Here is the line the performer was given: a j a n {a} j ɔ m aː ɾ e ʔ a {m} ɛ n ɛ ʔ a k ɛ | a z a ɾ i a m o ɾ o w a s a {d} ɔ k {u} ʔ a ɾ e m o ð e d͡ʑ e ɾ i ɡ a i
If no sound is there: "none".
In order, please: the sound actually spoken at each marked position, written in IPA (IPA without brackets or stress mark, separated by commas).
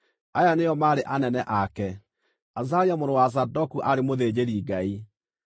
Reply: e, n, d, u